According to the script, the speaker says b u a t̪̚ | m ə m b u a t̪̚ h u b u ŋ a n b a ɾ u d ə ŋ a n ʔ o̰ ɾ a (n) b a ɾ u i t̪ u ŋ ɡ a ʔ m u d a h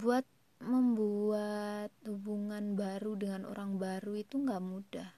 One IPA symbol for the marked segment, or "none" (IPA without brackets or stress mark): ŋ